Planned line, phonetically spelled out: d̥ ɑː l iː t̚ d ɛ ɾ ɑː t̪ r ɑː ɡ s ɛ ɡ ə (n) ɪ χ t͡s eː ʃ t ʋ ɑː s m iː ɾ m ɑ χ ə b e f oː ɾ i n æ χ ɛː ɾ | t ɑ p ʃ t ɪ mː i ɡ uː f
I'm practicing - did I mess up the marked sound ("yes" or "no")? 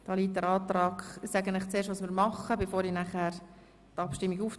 no